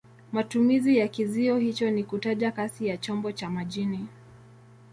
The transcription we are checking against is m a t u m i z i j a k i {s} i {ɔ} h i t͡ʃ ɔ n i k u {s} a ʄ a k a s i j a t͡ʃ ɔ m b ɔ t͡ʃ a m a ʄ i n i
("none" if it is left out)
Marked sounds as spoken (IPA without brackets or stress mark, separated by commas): z, ɔ, t